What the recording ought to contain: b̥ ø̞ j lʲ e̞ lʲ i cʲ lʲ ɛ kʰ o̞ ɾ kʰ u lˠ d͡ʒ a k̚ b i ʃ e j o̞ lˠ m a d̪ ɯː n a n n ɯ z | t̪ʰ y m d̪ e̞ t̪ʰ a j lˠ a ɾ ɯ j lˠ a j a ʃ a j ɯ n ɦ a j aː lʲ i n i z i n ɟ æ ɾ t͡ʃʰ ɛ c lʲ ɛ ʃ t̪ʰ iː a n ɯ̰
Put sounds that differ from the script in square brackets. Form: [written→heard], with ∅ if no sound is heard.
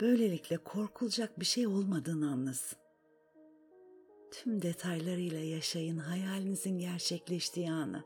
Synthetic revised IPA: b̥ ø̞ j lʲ e̞ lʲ i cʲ lʲ ɛ kʰ o̞ ɾ kʰ u lˠ d͡ʒ a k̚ b i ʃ e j o̞ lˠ m a d̪ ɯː n a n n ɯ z | t̪ʰ y m d̪ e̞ t̪ʰ a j lˠ a ɾ ɯ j lˠ a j a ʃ a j ɯ n ɦ a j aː lʲ i n i z i n ɟ æ ɾ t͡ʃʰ ɛ c lʲ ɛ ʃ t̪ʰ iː a n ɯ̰